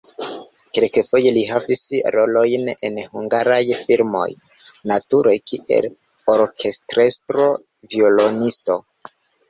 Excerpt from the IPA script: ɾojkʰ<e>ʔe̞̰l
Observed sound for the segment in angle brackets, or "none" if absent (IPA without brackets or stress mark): i